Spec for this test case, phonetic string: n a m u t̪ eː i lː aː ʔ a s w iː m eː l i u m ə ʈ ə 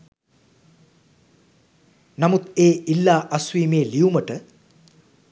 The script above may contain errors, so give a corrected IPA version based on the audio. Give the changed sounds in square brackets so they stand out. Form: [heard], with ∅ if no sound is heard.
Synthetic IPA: n a m u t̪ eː i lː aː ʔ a s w iː m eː l i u m ə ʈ ə